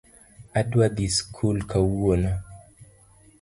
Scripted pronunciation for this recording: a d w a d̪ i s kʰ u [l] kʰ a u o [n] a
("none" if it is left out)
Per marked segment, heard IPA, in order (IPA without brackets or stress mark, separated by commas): l, n